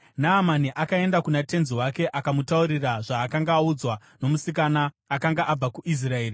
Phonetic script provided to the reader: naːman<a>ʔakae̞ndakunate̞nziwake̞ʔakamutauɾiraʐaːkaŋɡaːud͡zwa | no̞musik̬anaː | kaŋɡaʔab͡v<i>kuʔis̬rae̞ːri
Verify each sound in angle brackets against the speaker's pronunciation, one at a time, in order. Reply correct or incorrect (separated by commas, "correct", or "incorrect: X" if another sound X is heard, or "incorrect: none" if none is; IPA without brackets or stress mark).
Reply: incorrect: i, incorrect: a